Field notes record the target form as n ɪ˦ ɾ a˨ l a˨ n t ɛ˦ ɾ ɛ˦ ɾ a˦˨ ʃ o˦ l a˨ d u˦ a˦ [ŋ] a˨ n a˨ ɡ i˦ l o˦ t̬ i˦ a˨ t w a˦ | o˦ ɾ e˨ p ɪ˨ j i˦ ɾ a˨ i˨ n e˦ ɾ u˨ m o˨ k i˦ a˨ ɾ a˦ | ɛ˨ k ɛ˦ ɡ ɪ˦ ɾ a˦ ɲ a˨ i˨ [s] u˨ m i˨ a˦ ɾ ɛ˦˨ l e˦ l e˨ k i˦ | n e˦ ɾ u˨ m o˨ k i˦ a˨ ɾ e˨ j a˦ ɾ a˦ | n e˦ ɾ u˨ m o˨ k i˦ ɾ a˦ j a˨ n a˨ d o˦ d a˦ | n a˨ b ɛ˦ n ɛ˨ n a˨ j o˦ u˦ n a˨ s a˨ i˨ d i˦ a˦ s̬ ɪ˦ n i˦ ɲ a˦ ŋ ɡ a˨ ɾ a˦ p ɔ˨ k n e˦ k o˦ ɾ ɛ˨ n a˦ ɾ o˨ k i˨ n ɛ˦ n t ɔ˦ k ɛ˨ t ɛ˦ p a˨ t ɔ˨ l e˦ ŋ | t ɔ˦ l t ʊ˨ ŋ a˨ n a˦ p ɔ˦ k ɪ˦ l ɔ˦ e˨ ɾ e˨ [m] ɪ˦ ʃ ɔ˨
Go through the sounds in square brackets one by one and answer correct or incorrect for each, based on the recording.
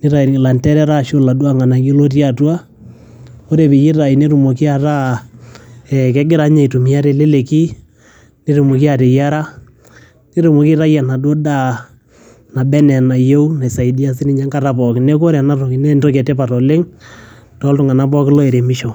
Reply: correct, incorrect: t, correct

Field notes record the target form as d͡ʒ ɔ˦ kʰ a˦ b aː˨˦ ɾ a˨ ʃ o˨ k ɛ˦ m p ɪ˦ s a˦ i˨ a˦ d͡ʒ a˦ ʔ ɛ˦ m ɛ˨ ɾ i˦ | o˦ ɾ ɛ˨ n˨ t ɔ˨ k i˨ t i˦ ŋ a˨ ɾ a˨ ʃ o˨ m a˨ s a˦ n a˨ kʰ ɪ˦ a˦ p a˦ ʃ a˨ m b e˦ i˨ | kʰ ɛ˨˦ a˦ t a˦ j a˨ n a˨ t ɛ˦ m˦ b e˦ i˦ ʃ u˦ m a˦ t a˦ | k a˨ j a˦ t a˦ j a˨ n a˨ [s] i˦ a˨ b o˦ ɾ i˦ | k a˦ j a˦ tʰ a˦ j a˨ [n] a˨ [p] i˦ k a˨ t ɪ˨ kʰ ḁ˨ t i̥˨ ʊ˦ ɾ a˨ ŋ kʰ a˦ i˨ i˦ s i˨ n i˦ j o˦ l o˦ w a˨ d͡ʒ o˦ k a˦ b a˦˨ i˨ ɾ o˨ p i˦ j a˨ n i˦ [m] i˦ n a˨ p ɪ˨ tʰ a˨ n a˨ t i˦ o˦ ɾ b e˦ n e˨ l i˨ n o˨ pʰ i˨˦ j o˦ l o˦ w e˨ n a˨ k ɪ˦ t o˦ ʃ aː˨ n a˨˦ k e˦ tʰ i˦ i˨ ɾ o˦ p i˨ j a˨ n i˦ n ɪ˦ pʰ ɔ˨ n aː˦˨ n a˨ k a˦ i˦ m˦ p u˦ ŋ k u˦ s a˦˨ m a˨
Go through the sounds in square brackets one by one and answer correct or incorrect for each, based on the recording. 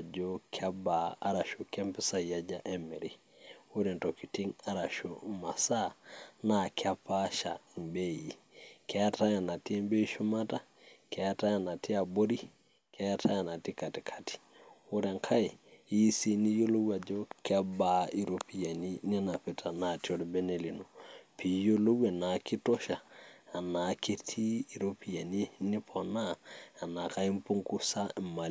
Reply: incorrect: t, correct, incorrect: t, incorrect: n

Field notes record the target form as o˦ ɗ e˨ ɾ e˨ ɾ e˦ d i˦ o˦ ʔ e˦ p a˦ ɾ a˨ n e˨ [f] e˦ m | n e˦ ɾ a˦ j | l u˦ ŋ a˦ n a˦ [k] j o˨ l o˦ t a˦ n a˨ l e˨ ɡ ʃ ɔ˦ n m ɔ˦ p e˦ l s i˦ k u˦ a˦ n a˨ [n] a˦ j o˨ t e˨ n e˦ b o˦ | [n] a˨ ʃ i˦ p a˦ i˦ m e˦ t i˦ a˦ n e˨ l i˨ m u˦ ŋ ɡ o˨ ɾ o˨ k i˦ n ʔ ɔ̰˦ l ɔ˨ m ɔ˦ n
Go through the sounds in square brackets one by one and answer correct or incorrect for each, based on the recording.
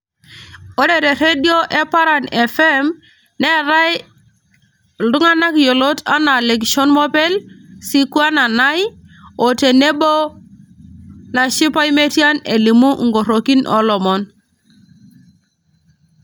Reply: correct, correct, correct, correct

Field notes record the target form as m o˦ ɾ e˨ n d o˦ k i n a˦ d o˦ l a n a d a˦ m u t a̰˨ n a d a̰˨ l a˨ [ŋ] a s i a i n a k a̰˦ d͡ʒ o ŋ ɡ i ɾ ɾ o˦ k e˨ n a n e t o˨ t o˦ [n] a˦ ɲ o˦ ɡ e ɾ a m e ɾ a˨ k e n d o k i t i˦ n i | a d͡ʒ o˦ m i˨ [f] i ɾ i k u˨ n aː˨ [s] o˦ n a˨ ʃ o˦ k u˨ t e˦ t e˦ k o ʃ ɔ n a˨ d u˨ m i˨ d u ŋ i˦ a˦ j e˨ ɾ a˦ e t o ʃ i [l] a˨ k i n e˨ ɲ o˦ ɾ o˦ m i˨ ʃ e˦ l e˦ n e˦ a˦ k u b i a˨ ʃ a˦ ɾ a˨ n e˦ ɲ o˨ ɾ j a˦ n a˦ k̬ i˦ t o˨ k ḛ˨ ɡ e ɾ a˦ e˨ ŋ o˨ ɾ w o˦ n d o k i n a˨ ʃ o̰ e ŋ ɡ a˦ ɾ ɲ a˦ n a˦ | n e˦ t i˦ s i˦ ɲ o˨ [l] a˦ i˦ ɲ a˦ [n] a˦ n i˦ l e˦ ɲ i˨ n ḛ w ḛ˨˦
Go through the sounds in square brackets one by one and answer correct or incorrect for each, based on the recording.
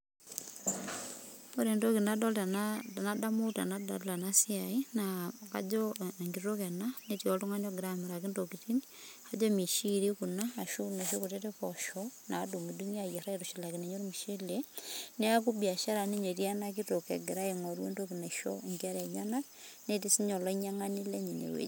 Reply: incorrect: n, incorrect: ŋ, incorrect: ʃ, incorrect: ʃ, correct, correct, incorrect: ŋ

